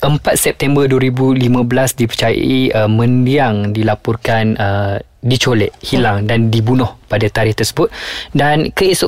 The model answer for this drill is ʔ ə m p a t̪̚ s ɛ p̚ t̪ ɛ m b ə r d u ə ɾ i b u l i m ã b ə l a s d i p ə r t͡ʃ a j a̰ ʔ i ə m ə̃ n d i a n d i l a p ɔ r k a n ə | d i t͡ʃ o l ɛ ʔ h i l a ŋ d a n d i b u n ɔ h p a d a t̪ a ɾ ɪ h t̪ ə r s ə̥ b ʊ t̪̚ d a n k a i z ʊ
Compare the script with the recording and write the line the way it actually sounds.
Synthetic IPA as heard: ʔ ə m p a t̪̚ s ɛ p̚ t̪ ɛ m b ə r d u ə ɾ i b u l i m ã b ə l a s d i p ə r t͡ʃ a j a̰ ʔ i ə m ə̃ n d i a ŋ d i l a p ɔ r k a n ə | d i t͡ʃ o l ɛ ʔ h i l a ŋ d a n d i b u n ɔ h p a d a t̪ a ɾ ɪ h t̪ ə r s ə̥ b ʊ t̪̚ d a n k ə i s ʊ